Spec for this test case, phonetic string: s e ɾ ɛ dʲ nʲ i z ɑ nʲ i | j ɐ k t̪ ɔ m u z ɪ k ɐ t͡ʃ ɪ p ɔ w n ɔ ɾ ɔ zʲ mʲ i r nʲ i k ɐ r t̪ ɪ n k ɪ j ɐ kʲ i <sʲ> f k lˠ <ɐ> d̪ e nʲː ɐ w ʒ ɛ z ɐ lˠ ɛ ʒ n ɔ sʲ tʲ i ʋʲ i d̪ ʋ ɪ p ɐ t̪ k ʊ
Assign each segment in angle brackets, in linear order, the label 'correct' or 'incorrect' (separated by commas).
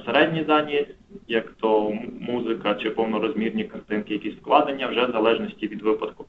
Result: correct, incorrect